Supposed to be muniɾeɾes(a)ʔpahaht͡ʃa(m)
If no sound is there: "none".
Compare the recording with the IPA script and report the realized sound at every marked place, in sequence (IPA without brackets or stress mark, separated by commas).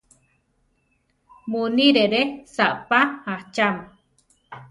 a, m